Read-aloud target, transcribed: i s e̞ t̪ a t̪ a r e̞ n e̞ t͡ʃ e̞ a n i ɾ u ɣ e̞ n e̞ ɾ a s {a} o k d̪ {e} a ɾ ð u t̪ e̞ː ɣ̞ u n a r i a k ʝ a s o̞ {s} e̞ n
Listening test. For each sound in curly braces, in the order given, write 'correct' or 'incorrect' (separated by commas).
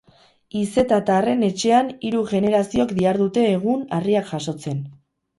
incorrect, incorrect, incorrect